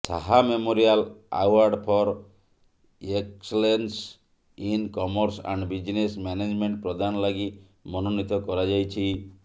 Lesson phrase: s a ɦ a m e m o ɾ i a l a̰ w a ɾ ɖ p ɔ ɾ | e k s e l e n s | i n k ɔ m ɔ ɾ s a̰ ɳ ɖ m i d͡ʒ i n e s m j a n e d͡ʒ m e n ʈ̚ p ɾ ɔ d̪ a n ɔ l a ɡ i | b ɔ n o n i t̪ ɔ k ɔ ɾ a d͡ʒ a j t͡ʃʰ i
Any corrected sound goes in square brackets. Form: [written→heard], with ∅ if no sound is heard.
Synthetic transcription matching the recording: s a ɦ a m e m o ɾ i a l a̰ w a ɾ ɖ [p→pʰ] ɔ ɾ | e k s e l e n s | i n k ɔ m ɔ ɾ s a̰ ɳ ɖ [m→b] i d͡ʒ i n e s m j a n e d͡ʒ m e [n→ɳ] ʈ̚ p ɾ ɔ d̪ a n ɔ l a ɡ i | [b→m] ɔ n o n i t̪ ɔ k ɔ ɾ a d͡ʒ a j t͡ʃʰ i